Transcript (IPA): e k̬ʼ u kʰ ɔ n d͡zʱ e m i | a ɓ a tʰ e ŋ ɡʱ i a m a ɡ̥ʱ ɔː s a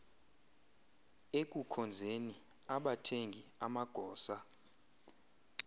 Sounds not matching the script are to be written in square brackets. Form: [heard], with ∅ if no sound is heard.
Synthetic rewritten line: e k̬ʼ u kʰ ɔ n d͡zʱ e [n] i | a ɓ a tʰ e ŋ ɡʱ i a m a ɡ̥ʱ ɔː s a